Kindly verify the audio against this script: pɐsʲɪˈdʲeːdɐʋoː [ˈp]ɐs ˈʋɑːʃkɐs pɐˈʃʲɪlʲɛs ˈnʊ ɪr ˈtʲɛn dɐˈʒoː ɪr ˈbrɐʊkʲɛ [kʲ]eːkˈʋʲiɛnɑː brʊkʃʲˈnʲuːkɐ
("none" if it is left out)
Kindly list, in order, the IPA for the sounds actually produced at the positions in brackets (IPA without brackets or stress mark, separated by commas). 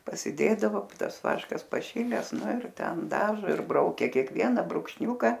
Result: t, kʲ